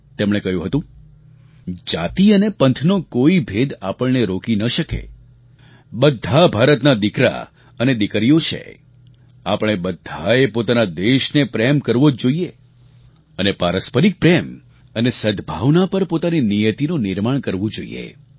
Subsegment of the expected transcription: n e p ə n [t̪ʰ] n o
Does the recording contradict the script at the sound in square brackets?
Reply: no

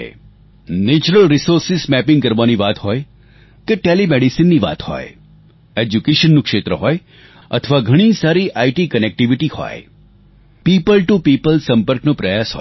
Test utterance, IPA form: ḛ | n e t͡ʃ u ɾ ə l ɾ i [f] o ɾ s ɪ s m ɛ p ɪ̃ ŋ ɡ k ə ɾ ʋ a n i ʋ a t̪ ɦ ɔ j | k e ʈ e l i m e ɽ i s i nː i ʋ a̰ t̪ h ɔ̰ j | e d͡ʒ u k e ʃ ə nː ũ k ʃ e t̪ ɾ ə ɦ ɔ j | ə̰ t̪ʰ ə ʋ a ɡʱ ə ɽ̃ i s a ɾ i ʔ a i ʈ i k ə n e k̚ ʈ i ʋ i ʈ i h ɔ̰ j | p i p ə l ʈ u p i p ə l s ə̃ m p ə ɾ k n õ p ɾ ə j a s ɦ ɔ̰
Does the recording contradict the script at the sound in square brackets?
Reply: yes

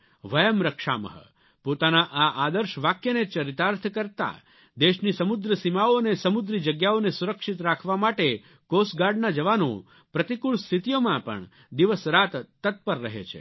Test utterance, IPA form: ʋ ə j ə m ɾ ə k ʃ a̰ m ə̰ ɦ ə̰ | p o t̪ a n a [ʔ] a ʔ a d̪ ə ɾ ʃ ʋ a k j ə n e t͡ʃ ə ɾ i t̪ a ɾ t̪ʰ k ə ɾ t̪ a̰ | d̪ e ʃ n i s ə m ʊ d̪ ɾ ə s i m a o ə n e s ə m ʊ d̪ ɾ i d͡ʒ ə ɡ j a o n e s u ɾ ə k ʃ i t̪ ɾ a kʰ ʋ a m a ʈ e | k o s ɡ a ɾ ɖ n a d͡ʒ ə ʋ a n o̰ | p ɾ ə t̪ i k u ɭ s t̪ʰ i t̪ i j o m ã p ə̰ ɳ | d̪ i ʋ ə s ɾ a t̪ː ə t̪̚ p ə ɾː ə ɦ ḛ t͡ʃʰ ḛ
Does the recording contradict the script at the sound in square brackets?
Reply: no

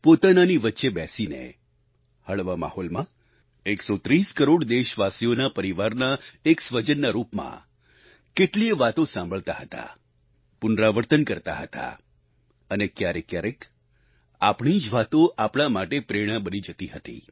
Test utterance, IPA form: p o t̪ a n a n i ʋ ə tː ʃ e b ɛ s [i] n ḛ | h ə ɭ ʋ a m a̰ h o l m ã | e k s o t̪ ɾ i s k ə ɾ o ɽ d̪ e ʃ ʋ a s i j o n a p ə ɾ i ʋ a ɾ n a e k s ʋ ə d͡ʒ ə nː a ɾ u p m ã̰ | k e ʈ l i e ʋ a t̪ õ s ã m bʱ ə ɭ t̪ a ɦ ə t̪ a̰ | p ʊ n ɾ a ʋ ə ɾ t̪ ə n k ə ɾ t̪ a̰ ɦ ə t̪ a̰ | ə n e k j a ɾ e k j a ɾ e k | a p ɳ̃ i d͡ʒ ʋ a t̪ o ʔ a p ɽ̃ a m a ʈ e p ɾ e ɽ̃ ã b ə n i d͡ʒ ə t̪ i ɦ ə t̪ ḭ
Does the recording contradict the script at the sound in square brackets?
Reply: no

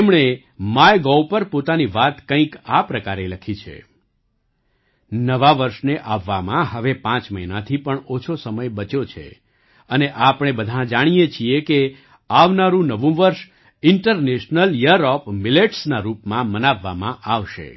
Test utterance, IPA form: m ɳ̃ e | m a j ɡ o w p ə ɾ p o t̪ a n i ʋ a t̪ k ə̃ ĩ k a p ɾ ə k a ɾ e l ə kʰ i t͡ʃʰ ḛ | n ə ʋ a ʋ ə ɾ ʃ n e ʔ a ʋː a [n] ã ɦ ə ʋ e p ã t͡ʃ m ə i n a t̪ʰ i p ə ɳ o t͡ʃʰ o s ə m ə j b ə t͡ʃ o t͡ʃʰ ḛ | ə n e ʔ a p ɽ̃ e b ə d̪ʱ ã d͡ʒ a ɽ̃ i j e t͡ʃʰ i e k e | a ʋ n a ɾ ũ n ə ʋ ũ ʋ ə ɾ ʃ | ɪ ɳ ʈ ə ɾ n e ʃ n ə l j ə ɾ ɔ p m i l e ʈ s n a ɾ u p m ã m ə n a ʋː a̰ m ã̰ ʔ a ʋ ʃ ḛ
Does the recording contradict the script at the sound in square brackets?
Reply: yes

